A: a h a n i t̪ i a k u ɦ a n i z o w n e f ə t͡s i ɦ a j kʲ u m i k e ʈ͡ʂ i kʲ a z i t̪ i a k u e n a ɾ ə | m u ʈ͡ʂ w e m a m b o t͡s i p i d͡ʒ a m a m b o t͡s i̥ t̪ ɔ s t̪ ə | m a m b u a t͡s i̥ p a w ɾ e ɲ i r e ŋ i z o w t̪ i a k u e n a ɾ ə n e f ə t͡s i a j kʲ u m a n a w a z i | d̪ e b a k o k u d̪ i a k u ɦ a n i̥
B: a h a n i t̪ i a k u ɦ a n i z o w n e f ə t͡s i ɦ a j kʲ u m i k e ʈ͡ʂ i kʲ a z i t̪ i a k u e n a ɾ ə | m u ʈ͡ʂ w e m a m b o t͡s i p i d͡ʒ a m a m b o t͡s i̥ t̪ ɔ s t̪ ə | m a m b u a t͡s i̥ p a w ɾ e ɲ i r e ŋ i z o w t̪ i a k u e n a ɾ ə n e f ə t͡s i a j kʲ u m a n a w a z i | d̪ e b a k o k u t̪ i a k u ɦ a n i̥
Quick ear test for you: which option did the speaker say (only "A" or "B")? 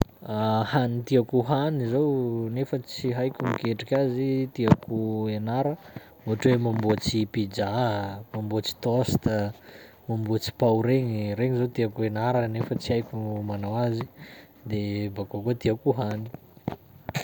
B